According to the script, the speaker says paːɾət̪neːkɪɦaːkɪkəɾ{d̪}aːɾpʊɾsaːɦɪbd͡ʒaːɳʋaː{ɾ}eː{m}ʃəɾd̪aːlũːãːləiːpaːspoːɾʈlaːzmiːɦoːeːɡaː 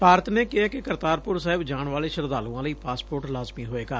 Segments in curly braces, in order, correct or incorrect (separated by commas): incorrect, incorrect, incorrect